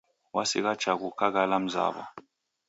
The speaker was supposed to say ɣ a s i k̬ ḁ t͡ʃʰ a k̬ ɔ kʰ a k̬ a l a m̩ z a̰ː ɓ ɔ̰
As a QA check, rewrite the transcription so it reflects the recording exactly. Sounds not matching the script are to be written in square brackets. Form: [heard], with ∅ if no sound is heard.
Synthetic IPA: [w] a s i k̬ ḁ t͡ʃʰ a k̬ [u] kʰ a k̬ a l a m̩ z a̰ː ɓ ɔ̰